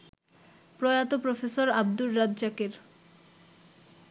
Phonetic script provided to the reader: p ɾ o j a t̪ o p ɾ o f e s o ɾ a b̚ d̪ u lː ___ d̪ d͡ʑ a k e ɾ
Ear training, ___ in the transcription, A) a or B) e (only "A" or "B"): A